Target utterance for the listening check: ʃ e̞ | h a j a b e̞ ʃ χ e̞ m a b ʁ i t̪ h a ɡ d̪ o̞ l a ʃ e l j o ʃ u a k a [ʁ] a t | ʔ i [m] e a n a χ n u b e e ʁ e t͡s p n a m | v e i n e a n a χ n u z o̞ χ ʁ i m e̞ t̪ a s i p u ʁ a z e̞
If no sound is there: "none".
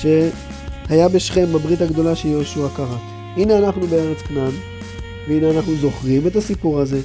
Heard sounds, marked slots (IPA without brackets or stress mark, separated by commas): ʁ, n